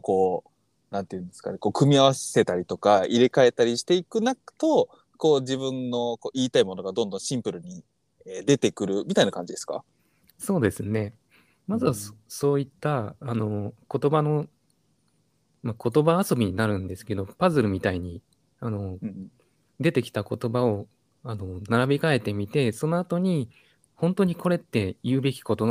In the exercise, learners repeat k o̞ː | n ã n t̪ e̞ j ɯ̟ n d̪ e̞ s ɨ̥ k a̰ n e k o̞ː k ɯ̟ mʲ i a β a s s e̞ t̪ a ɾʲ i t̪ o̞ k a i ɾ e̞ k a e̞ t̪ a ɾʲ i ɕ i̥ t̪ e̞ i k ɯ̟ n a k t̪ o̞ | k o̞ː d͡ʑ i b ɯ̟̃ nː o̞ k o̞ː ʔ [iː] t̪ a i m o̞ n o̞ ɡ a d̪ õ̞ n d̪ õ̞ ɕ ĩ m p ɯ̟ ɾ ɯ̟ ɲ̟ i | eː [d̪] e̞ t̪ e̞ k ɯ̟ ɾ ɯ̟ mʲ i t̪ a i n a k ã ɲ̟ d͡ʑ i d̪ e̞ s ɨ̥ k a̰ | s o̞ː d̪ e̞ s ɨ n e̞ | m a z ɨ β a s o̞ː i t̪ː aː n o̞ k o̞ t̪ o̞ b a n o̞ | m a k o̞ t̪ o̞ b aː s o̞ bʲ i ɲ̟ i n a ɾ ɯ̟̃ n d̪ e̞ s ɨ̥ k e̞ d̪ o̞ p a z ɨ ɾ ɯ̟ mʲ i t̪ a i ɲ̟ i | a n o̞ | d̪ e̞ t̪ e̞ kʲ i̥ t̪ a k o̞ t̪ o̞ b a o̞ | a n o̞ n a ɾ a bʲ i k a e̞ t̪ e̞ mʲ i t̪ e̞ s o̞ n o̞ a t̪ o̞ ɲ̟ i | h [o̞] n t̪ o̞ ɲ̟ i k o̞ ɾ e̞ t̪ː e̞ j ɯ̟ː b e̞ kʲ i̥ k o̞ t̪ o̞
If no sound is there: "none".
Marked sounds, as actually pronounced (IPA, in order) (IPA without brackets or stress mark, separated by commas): iː, d̪, õ̞